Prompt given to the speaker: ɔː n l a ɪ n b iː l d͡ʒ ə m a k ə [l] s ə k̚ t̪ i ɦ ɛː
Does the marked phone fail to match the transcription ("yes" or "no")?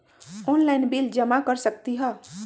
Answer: yes